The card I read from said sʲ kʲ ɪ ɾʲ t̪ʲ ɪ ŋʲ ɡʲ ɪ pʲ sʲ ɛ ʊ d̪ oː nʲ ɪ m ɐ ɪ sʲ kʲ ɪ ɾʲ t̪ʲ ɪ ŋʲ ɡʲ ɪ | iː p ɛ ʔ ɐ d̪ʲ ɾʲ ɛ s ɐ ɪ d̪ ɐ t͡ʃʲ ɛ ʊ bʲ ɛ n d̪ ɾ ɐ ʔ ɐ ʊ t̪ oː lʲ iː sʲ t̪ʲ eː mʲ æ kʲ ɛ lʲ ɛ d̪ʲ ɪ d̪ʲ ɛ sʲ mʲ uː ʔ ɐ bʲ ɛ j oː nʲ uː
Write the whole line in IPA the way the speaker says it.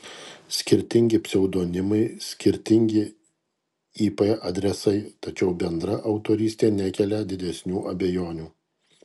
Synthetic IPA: sʲ kʲ ɪ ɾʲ t̪ʲ ɪ ŋʲ ɡʲ ɪ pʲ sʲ ɛ ʊ d̪ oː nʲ ɪ m ɐ ɪ sʲ kʲ ɪ ɾʲ t̪ʲ ɪ ŋʲ ɡʲ ɪ | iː p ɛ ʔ ɐ d̪ʲ ɾʲ ɛ s ɐ ɪ t̪ ɐ t͡ʃʲ ɛ ʊ bʲ ɛ n d̪ ɾ ɐ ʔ ɐ ʊ t̪ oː ɾʲ iː sʲ t̪ʲ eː nʲ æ kʲ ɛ lʲ ɛ d̪ʲ ɪ d̪ʲ ɛ sʲ nʲ uː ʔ ɐ bʲ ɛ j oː nʲ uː